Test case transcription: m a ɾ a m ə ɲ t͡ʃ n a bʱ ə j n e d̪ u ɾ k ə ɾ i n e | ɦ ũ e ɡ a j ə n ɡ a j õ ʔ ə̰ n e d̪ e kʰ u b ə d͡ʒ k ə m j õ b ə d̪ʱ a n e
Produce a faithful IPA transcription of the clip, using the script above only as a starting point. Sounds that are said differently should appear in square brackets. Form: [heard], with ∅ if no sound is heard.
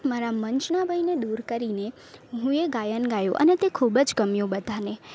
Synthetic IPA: m a ɾ a m ə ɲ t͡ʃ n a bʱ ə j n e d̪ u ɾ k ə ɾ i n e | ɦ ũ e ɡ a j ə n ɡ a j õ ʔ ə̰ n e [t̪] e kʰ u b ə d͡ʒ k ə m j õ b ə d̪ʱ a n e